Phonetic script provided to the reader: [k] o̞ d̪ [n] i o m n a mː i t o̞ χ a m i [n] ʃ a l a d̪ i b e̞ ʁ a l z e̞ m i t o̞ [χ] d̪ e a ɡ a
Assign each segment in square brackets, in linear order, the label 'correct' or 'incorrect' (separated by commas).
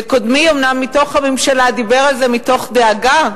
correct, incorrect, incorrect, correct